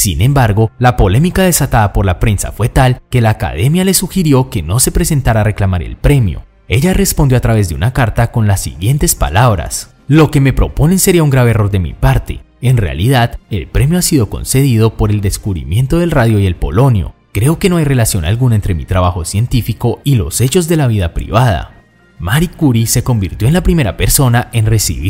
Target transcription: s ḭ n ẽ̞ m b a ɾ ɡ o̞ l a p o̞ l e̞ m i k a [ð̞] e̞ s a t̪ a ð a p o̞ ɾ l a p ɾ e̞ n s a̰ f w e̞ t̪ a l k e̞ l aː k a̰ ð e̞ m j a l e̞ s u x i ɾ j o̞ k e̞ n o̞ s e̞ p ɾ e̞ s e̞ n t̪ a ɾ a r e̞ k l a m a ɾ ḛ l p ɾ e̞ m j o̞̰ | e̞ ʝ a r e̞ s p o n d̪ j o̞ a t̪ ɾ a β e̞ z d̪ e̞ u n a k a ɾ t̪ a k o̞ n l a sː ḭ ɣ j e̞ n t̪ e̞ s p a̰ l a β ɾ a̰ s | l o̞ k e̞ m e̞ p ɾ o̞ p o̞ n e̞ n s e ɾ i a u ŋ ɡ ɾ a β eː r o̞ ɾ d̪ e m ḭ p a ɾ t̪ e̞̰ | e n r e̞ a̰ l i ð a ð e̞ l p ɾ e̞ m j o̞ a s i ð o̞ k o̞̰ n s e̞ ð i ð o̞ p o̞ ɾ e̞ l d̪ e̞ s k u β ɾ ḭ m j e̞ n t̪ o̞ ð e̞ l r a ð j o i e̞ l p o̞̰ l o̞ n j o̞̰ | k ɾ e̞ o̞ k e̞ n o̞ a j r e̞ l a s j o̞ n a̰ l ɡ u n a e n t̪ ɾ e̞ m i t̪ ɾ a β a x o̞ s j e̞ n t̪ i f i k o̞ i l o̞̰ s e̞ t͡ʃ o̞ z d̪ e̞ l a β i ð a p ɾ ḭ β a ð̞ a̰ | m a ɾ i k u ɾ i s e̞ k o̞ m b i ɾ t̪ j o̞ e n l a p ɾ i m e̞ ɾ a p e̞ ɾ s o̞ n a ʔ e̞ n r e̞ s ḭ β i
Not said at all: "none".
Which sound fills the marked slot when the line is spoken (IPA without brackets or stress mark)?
ð̞